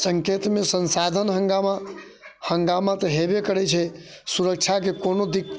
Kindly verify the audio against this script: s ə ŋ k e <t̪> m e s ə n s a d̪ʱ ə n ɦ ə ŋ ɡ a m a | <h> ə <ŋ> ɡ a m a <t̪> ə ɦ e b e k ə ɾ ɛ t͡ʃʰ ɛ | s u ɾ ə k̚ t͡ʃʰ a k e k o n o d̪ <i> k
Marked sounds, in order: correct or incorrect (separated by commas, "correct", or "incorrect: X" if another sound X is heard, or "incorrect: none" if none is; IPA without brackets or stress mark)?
correct, correct, correct, correct, correct